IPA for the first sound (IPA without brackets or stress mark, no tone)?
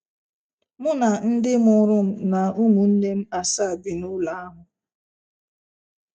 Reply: m